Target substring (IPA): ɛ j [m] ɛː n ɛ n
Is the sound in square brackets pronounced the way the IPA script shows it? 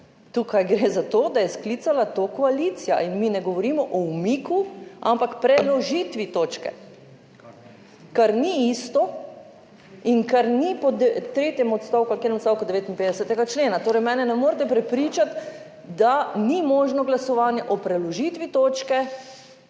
yes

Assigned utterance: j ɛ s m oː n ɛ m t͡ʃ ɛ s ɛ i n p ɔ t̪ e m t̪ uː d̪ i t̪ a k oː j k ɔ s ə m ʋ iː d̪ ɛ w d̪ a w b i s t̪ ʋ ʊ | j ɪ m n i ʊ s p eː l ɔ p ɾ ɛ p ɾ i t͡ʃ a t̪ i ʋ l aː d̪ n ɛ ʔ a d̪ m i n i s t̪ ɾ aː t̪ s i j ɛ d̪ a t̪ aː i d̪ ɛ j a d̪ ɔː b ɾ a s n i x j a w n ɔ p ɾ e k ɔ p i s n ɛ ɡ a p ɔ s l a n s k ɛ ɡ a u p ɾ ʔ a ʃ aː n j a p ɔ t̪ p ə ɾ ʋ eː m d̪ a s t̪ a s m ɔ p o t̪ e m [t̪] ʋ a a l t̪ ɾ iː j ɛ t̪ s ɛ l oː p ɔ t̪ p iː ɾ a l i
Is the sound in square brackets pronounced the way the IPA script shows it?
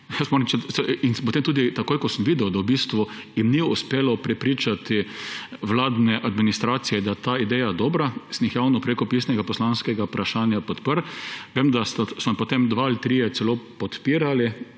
no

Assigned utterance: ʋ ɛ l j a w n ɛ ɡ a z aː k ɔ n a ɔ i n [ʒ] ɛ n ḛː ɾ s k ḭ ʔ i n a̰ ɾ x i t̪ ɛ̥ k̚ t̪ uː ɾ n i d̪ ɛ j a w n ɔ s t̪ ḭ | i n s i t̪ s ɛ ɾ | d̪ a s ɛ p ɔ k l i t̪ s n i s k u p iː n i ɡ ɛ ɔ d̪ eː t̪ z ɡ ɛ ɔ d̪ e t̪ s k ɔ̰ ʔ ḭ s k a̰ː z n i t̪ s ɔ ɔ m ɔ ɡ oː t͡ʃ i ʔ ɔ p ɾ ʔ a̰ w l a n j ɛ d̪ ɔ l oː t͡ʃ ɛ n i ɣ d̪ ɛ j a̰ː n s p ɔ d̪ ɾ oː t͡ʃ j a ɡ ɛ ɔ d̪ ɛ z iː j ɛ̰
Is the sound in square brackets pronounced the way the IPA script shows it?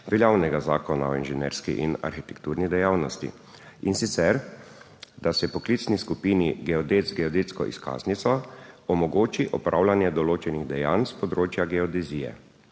yes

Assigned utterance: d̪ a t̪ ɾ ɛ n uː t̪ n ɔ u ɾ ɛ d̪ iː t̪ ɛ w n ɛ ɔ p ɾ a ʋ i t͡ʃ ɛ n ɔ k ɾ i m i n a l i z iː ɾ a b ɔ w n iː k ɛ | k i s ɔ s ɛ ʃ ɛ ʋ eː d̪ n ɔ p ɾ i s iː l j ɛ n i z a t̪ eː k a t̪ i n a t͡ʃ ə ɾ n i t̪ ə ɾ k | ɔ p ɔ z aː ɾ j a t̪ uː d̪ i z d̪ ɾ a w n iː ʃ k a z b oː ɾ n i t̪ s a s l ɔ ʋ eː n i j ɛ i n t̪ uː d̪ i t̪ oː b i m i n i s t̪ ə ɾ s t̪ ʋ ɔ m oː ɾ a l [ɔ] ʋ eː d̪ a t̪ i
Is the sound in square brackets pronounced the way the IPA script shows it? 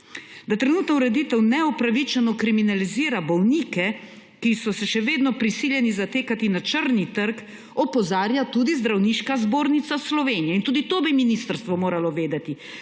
yes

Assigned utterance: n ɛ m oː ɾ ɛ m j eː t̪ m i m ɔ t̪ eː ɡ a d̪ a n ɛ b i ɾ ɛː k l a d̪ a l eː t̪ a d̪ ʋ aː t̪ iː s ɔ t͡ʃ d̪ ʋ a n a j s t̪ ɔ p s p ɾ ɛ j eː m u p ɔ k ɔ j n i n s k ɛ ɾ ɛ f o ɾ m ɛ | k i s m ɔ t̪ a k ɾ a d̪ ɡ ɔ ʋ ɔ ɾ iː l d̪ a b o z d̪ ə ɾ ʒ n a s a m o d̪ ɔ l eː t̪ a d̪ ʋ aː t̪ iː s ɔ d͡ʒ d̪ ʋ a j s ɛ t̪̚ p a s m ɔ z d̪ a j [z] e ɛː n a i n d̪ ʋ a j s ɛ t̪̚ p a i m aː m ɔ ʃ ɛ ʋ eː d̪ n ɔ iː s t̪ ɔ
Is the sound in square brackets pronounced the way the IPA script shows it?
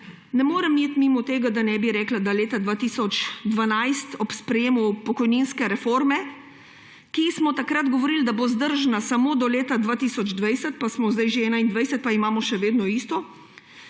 no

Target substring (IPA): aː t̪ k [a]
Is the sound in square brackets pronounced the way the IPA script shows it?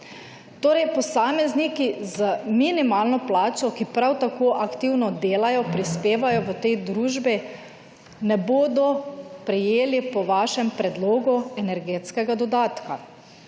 yes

